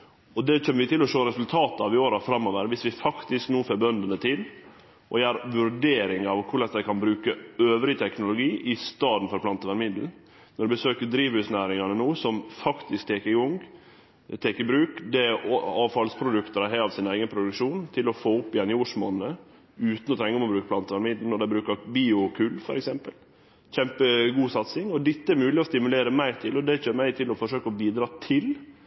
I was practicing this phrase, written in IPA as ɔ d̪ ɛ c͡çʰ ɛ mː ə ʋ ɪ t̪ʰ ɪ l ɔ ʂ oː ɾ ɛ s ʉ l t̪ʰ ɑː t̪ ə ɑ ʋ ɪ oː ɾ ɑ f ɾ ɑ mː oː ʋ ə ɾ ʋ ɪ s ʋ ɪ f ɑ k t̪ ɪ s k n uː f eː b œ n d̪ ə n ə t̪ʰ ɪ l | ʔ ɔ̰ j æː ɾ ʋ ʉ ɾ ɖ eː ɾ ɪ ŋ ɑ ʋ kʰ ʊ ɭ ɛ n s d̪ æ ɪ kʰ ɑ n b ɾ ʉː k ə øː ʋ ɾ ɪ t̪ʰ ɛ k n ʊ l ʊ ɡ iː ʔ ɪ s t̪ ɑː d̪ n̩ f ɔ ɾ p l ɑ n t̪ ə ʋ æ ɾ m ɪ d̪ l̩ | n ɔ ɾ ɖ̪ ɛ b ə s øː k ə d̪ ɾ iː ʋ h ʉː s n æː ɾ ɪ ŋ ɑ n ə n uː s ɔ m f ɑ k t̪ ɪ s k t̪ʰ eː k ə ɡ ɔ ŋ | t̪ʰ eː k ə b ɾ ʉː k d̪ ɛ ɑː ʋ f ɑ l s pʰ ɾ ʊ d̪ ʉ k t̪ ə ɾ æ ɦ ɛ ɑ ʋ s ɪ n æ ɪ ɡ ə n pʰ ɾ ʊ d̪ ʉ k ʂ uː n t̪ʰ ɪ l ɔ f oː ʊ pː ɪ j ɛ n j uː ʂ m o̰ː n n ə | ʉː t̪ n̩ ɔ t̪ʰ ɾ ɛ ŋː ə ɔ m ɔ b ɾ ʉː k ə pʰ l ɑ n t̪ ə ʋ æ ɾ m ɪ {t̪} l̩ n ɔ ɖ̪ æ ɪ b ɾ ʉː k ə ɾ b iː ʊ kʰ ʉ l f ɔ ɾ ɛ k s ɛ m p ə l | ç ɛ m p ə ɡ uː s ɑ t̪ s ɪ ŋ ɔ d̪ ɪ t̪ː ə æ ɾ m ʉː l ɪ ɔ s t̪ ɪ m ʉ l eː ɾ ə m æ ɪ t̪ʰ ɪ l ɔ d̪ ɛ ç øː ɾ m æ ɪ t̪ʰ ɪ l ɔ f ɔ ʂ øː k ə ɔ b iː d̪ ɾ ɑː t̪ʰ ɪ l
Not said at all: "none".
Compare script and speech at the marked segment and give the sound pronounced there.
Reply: d̪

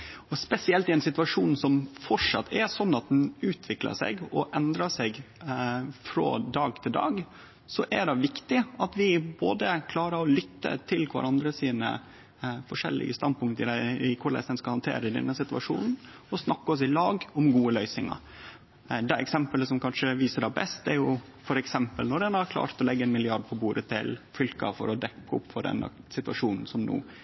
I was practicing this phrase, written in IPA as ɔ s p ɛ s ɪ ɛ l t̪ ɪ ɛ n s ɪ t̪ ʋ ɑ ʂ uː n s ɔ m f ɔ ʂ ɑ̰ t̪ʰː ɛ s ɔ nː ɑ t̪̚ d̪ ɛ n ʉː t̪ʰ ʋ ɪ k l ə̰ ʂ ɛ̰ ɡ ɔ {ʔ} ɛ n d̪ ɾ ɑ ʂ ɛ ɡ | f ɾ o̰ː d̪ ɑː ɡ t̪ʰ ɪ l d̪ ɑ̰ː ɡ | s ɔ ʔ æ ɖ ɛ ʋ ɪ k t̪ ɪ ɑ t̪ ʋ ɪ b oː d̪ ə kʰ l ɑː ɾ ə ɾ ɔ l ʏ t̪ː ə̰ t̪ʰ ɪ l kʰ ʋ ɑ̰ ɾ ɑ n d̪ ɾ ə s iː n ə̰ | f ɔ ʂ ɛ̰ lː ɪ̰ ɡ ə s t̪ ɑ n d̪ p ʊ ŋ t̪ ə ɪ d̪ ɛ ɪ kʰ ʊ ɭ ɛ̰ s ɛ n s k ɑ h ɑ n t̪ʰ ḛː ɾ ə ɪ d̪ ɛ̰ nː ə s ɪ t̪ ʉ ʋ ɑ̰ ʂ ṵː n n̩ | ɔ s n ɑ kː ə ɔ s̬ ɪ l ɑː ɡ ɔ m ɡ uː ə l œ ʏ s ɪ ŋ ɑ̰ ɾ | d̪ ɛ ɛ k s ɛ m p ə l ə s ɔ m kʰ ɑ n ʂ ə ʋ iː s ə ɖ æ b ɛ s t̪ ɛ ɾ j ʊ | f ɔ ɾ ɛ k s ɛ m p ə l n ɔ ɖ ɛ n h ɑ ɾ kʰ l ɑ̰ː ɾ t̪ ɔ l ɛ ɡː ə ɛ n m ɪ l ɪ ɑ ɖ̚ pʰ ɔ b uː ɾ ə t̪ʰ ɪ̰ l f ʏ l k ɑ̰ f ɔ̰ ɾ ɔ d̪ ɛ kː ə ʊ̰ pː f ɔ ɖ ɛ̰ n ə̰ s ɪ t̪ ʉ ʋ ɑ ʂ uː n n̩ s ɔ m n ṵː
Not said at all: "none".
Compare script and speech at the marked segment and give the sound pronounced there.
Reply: ʔ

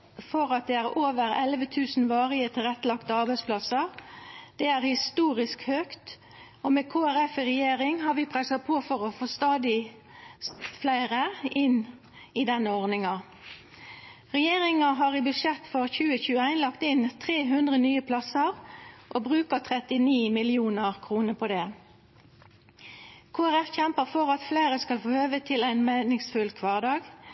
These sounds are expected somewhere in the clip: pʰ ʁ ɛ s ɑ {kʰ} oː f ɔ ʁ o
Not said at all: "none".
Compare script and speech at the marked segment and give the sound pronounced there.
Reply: pʰ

